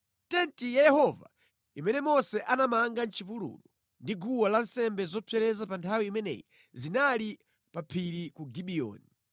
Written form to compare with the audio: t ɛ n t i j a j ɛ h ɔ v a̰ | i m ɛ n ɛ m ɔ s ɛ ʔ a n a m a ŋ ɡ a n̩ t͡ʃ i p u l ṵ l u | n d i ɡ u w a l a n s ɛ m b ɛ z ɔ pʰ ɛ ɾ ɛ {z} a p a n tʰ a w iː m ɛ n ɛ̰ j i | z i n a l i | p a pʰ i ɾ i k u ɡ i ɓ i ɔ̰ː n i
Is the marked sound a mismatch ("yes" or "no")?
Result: no